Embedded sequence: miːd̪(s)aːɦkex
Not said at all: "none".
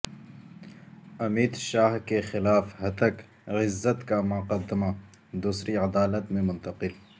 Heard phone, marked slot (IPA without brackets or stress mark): ʃ